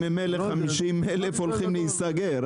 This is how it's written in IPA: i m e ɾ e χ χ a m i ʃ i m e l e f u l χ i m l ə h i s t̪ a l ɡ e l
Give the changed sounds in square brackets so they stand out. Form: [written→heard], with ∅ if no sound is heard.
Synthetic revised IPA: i m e [ɾ→l] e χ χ a m i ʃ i m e l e f [u→o] l χ i m l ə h i s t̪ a [l→∅] ɡ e [l→ɾ]